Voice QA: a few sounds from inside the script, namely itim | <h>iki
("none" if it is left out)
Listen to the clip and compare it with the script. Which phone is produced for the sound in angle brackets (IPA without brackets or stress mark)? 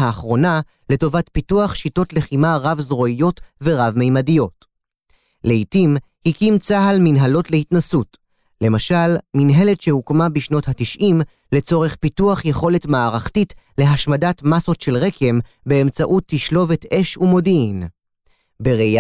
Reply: h